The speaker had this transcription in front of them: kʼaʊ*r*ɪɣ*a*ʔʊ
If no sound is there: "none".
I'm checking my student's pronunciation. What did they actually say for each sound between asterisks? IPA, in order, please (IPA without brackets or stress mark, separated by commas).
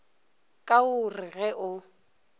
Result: r, ɛ